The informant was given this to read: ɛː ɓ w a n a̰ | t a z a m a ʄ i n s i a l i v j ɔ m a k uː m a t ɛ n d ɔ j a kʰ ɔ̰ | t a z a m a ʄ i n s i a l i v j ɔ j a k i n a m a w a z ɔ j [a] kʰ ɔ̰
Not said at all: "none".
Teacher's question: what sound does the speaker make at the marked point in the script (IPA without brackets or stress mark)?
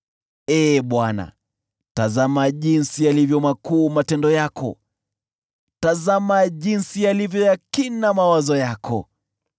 a